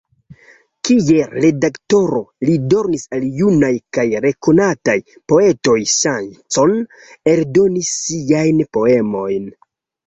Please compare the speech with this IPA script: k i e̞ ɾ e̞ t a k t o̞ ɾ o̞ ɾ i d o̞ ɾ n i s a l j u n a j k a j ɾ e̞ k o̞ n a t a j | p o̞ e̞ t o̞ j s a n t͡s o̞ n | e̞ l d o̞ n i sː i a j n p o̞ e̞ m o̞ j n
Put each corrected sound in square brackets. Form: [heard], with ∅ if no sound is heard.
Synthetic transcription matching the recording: k i e̞ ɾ e̞ [d] a k t o̞ ɾ o̞ [l] i d o̞ ɾ n i s a l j u n a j k a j ɾ e̞ k o̞ n a t a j | p o̞ e̞ t o̞ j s a n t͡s o̞ n | e̞ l d o̞ n i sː i a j n p o̞ e̞ m o̞ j n